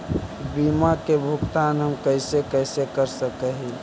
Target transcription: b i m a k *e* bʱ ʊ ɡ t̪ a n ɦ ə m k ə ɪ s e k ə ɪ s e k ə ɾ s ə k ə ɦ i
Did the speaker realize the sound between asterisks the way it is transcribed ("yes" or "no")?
yes